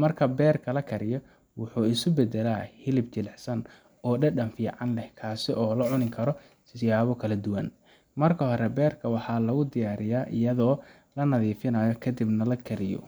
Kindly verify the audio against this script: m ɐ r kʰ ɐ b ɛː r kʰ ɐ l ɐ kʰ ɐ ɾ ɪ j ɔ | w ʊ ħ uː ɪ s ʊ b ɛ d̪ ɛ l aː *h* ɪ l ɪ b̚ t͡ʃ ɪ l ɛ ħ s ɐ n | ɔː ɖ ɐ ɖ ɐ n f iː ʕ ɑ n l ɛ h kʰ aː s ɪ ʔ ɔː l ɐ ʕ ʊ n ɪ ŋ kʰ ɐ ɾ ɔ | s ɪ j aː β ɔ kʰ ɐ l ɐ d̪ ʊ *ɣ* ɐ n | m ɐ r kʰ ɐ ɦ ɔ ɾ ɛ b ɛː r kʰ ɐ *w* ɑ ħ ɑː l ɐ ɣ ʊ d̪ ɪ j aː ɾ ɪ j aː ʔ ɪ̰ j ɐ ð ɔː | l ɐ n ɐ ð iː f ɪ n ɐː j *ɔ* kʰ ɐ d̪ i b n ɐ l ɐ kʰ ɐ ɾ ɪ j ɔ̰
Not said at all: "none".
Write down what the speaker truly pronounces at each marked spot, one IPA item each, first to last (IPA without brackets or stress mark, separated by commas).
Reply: h, w, w, ɔ